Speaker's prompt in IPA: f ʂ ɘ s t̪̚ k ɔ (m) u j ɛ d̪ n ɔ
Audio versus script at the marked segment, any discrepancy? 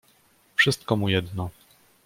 no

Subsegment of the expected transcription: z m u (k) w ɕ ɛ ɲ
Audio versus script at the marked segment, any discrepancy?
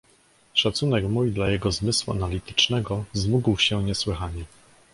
yes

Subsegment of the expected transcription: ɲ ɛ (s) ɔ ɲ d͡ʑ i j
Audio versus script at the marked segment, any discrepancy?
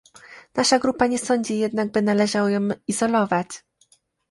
no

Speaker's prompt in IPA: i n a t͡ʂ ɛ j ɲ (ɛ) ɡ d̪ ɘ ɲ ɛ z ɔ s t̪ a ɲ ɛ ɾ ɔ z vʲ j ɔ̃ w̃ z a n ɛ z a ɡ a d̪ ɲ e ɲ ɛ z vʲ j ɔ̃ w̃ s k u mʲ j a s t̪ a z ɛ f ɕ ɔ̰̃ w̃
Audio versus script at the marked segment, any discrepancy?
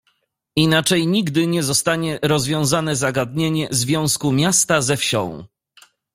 yes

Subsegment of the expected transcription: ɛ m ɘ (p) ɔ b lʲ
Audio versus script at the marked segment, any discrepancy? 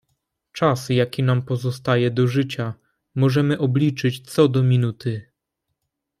yes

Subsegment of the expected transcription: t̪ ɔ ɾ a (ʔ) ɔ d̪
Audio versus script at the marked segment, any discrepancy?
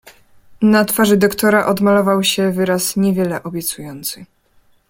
no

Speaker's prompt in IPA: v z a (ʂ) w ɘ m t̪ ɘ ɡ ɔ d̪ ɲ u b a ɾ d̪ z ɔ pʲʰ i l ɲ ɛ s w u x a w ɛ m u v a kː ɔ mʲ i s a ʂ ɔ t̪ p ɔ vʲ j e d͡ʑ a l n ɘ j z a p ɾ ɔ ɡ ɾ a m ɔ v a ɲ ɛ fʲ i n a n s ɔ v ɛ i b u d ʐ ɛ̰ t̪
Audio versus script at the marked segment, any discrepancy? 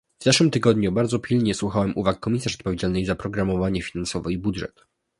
no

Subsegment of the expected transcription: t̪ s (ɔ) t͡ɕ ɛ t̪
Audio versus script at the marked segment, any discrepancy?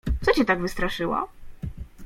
no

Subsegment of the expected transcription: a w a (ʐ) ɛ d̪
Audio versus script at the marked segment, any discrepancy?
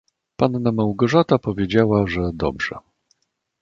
no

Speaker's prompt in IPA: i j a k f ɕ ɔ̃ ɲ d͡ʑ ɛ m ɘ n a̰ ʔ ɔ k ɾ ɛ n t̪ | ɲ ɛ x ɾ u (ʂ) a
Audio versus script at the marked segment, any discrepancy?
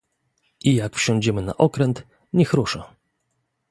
no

